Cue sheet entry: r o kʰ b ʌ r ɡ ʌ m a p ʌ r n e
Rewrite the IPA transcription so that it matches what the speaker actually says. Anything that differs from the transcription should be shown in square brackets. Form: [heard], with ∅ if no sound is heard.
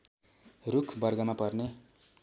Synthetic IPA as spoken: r [u] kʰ b ʌ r ɡ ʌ m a p ʌ r n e